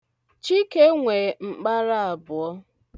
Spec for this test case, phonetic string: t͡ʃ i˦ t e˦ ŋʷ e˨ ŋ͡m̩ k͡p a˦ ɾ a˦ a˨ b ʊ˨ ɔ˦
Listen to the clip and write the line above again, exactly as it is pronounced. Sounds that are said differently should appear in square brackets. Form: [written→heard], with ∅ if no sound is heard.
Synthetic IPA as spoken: t͡ʃ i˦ [t→k] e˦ ŋʷ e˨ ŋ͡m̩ k͡p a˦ ɾ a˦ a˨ b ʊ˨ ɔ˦